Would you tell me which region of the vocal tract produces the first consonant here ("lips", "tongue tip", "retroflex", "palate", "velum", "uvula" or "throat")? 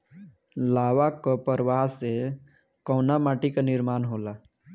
tongue tip